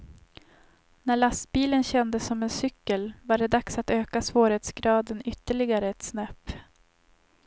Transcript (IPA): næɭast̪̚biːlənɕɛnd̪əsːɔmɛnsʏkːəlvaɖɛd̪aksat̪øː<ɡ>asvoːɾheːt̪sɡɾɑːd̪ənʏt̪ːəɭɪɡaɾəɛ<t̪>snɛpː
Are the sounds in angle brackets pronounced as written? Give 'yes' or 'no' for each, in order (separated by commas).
no, yes